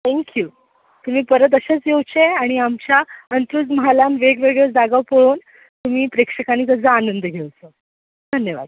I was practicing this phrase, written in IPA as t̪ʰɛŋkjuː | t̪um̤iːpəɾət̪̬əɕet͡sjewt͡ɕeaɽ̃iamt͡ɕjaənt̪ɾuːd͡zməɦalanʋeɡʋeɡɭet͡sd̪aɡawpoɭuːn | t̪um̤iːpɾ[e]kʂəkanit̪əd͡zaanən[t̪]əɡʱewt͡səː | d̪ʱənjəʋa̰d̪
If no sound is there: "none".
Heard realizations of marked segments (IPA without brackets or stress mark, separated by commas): e, d̪